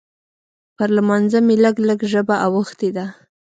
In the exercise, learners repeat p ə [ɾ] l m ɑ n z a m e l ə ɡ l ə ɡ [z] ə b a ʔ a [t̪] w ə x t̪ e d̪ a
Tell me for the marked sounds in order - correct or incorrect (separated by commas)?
correct, incorrect, incorrect